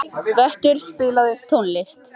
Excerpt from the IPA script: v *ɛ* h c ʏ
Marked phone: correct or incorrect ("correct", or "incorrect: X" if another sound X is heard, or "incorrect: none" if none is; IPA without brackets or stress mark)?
correct